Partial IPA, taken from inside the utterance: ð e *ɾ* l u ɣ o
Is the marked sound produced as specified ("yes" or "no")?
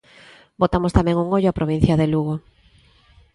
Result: no